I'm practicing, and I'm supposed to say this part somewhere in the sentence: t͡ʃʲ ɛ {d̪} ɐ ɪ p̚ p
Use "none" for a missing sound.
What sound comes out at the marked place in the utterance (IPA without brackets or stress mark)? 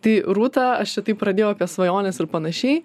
t̪